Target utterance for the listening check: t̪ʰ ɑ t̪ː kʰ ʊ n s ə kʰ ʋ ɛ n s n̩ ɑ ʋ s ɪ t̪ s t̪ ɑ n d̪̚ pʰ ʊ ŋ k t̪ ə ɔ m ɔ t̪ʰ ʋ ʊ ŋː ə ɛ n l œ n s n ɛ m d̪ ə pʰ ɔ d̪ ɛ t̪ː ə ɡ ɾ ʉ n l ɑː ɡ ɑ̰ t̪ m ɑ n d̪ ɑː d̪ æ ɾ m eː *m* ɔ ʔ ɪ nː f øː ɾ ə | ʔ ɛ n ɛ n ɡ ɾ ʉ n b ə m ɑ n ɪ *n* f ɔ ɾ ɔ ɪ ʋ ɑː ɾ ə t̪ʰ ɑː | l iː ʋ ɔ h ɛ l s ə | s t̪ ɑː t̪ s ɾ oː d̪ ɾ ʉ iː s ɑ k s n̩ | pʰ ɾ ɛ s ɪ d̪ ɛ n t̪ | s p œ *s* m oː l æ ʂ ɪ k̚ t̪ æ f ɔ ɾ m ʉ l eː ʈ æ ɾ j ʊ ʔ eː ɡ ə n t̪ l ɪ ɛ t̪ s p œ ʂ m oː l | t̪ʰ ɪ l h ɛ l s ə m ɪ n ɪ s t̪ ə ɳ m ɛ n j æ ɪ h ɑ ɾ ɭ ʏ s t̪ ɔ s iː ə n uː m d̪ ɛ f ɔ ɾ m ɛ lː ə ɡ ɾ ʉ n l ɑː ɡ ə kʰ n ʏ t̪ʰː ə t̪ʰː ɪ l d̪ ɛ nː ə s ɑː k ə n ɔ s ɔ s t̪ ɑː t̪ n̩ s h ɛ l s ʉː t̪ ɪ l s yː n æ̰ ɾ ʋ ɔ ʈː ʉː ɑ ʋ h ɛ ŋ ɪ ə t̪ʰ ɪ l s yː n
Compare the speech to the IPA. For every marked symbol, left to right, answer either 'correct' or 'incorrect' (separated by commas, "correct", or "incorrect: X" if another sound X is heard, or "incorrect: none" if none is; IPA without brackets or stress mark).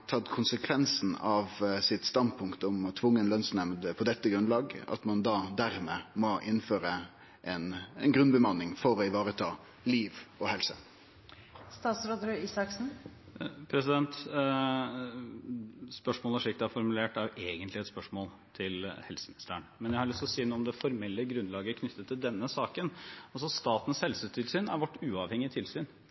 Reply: correct, incorrect: ŋ, incorrect: ʂ